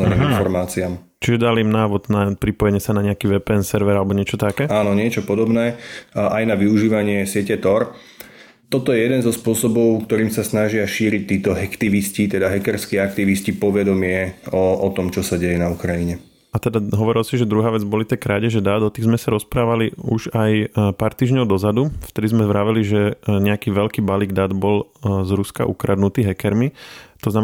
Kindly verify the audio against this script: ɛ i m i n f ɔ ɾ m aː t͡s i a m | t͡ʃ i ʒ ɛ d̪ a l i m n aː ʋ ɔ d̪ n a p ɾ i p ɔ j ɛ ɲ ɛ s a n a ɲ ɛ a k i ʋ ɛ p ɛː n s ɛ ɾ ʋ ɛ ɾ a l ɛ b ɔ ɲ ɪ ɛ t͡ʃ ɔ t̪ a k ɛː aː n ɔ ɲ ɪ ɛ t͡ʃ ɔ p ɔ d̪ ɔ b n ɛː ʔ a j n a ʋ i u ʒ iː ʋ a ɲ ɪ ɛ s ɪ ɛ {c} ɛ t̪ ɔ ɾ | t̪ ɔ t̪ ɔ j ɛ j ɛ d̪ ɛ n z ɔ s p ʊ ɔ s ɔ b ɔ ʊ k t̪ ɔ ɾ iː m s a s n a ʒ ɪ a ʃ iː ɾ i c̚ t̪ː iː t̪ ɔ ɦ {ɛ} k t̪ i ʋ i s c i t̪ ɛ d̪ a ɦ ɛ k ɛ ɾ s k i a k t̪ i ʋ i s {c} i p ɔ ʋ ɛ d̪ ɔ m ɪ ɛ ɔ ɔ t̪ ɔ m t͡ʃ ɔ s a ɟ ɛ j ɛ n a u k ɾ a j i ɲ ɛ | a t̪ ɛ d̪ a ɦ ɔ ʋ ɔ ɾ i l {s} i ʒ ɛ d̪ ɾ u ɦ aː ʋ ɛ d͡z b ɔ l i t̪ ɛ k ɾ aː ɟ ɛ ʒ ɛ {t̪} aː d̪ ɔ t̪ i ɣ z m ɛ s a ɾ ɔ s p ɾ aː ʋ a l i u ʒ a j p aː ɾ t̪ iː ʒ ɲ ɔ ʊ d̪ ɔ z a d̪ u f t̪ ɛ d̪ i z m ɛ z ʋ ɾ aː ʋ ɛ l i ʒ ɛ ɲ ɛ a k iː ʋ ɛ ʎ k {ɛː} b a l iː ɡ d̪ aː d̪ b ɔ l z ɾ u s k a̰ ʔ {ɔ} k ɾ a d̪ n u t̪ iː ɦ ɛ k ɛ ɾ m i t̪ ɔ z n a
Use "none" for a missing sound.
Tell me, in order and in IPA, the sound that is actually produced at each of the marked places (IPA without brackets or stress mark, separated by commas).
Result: c, ɛ, c, s, d̪, iː, u